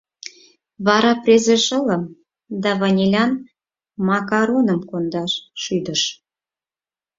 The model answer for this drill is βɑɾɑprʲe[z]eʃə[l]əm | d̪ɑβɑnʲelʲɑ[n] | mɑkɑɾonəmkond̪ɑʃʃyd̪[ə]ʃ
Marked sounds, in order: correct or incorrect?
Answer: correct, correct, correct, correct

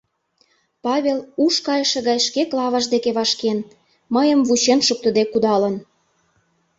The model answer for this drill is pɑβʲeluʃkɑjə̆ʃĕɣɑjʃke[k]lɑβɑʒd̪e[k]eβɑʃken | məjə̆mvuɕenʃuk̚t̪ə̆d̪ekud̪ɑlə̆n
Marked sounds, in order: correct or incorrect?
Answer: correct, correct

